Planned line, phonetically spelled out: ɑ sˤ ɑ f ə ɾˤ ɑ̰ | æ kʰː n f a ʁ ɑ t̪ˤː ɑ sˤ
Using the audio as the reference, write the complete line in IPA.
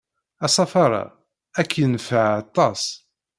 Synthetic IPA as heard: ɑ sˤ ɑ f ɑ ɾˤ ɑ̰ | æ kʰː n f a ʕ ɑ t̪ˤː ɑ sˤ